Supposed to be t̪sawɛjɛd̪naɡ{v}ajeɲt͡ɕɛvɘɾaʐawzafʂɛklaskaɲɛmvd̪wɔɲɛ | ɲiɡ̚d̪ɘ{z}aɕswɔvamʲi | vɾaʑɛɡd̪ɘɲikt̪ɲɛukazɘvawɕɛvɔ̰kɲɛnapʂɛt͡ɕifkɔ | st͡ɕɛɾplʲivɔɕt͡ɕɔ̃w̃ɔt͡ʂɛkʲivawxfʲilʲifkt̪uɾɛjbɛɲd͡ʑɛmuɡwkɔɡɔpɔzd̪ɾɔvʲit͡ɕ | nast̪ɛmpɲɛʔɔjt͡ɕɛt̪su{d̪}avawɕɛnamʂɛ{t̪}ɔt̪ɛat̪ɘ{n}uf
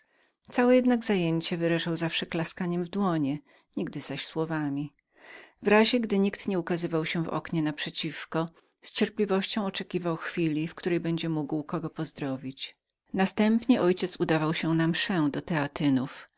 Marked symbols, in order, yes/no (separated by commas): no, yes, yes, no, yes